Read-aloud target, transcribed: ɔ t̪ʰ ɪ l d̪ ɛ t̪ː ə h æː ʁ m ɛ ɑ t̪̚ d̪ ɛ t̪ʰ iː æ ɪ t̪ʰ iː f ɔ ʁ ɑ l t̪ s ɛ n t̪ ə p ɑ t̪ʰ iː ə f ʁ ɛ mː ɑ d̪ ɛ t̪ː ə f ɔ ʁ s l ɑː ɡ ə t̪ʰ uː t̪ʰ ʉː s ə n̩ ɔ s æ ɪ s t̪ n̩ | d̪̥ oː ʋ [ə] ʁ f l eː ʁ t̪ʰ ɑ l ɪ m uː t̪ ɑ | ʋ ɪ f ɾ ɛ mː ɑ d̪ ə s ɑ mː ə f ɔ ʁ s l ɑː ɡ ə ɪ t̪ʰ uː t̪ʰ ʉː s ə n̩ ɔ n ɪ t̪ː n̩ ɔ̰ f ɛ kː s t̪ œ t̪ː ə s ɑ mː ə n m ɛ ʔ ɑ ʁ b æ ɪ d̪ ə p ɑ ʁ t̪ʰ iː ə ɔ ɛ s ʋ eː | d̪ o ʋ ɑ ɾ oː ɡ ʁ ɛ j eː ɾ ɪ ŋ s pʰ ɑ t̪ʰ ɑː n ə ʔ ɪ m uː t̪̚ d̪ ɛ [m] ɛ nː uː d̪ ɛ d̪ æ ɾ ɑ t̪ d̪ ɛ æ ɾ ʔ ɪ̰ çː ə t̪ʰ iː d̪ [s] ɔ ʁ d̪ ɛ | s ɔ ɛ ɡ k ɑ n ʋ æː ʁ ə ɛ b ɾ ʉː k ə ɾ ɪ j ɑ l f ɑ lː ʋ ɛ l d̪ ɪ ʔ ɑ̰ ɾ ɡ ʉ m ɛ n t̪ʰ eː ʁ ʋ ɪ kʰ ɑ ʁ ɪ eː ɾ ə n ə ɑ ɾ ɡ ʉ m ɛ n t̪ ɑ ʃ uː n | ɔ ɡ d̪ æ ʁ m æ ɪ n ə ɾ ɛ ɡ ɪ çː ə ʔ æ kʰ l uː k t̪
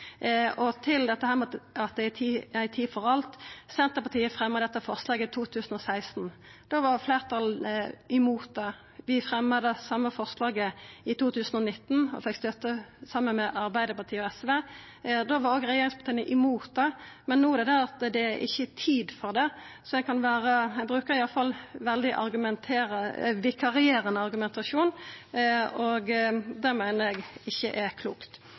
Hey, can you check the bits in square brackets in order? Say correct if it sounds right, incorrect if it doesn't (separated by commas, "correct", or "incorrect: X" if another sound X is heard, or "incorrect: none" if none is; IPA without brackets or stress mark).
incorrect: ɑ, correct, incorrect: f